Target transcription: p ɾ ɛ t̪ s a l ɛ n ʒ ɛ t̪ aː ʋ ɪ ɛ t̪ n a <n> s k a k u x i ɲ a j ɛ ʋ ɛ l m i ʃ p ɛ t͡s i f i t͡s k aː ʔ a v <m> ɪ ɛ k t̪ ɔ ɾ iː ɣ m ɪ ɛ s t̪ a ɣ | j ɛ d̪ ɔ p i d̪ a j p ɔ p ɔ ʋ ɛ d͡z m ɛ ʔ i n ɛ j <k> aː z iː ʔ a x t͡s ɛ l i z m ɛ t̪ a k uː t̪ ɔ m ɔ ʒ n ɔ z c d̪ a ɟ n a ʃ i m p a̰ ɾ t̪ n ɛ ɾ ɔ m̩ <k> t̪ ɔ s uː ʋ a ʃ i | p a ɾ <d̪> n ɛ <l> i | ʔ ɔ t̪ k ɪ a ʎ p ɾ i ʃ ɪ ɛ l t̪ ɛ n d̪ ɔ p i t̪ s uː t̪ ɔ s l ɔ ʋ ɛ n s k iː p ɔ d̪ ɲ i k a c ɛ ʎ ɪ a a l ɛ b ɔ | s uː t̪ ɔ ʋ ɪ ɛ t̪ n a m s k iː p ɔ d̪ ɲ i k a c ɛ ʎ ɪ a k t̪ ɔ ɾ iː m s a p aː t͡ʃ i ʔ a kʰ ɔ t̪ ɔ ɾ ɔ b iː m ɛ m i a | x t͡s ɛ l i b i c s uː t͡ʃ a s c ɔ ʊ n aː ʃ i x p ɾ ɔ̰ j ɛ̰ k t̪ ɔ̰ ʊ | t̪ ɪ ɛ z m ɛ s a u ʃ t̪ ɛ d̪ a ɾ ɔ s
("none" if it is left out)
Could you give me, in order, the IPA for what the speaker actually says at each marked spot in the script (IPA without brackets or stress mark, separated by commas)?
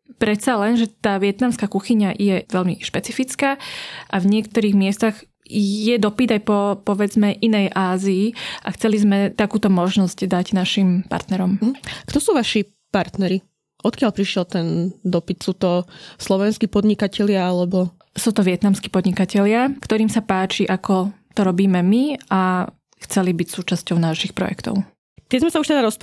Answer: m, ɲ, ʔ, k, t̪, ɾ